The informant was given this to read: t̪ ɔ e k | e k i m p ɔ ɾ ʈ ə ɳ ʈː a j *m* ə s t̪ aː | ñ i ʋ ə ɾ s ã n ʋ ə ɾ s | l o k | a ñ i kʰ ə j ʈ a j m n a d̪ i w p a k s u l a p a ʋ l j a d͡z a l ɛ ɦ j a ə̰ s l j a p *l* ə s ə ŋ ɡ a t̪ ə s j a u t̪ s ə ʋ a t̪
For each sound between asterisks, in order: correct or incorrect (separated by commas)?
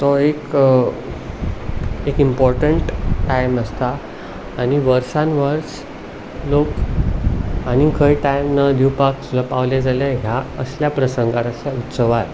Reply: correct, incorrect